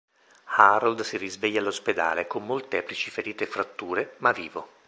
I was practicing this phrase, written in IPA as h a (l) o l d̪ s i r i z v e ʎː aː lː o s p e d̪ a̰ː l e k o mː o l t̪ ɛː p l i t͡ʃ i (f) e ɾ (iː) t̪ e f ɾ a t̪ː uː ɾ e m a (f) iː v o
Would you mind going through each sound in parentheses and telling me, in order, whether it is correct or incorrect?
incorrect: ɾ, correct, correct, incorrect: v

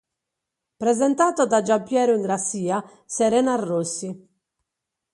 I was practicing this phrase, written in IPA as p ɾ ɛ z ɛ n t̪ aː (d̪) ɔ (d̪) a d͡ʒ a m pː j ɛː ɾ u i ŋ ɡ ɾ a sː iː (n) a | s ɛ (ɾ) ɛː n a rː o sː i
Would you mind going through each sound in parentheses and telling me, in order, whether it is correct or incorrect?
incorrect: t̪, correct, incorrect: none, correct

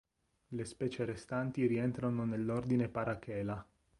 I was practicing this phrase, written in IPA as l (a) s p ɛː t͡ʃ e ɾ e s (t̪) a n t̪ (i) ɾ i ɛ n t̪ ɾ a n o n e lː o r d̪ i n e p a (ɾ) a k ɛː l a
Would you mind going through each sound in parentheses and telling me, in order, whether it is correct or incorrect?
incorrect: e, correct, correct, correct

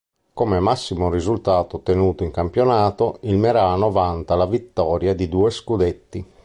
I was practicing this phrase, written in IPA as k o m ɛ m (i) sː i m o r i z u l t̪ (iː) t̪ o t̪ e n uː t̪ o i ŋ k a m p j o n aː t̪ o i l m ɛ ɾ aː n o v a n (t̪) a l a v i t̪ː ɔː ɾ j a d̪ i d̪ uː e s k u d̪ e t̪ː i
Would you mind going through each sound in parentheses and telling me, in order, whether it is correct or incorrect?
incorrect: a, incorrect: aː, correct

